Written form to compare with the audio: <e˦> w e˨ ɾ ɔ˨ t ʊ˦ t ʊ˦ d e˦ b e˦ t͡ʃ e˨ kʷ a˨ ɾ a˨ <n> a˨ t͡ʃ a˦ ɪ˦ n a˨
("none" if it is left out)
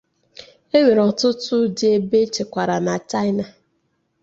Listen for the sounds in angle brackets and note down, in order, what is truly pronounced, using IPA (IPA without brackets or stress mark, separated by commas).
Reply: e˦, n